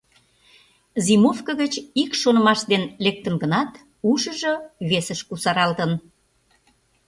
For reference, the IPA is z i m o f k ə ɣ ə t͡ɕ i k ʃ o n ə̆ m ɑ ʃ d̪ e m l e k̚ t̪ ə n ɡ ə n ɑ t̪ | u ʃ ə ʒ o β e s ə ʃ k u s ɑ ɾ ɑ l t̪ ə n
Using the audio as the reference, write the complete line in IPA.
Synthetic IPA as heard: z i m o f k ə ɣ ə t͡ɕ i k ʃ o n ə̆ m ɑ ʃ d̪ e n l e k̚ t̪ ə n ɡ ə n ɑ t̪ | u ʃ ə ʒ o β e s ə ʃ k u s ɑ ɾ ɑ l t̪ ə n